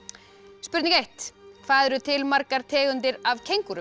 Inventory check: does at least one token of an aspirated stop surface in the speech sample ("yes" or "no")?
yes